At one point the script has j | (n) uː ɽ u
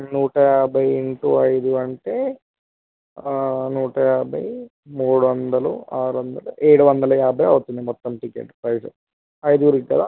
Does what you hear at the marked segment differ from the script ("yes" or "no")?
yes